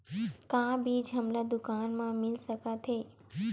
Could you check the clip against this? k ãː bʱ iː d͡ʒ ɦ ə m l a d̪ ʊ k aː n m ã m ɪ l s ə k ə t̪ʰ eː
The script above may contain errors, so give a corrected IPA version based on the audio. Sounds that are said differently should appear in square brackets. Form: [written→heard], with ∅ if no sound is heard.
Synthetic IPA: k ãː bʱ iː d͡ʒ ɦ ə m l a d̪ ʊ k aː n m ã m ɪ l s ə k [ə→a] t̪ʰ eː